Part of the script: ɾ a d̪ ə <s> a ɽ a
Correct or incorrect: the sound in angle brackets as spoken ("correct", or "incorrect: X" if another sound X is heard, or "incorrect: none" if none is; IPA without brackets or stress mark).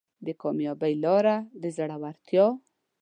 incorrect: z